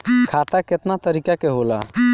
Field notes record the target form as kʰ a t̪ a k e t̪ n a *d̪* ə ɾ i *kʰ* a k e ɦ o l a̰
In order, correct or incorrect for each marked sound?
incorrect: t̪, incorrect: k

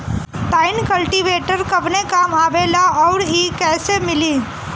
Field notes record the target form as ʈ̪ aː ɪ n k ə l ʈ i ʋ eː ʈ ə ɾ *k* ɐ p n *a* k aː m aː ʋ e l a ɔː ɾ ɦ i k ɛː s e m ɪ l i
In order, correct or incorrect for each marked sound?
correct, incorrect: e

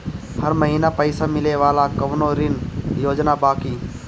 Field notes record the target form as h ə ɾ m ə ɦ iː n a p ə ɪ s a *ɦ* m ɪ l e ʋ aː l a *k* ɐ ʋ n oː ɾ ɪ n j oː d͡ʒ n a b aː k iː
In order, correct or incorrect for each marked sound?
incorrect: none, correct

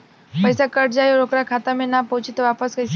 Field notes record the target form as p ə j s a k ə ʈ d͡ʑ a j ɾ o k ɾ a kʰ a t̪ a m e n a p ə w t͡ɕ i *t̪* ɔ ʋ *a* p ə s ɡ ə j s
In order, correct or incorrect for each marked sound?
correct, correct

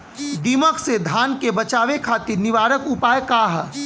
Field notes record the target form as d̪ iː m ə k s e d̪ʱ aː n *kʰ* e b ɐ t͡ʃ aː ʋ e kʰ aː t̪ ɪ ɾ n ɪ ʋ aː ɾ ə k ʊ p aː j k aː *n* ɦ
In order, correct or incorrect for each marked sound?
incorrect: k, incorrect: none

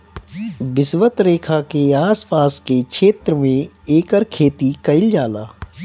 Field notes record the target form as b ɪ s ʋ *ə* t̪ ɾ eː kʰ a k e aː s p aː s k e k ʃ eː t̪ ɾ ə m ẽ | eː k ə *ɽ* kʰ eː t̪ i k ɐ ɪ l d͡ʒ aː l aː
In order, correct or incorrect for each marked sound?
correct, incorrect: ɾ

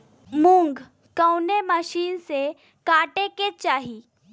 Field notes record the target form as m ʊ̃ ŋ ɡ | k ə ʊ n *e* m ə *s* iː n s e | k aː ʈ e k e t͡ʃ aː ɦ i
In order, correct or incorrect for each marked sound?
correct, incorrect: ʃ

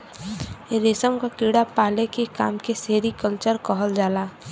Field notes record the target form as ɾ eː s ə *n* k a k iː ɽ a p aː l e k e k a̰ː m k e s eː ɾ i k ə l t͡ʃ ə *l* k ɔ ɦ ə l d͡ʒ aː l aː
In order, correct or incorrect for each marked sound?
incorrect: m, incorrect: ɾ

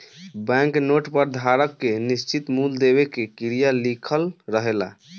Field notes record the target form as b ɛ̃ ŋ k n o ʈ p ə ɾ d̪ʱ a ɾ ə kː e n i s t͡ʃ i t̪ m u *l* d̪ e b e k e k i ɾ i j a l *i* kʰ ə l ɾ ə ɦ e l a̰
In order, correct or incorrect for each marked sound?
correct, correct

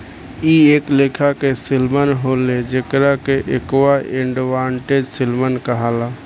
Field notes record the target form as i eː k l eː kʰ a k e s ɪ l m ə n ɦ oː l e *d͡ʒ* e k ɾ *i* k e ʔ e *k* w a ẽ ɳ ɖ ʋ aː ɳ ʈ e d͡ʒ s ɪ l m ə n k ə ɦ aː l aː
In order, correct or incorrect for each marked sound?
correct, incorrect: a, correct

